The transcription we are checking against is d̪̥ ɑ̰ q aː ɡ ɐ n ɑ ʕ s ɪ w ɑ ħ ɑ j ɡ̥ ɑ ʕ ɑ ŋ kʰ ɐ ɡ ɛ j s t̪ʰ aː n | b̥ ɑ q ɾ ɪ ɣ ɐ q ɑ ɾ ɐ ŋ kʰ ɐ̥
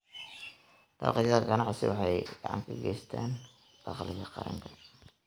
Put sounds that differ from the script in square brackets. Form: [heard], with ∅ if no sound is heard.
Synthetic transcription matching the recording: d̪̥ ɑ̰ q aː ɡ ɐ n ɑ ʕ s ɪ w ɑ ħ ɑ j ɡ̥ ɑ ʕ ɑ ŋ kʰ ɐ ɡ ɛ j s t̪ʰ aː n | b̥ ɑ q [l] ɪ ɣ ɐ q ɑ ɾ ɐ ŋ kʰ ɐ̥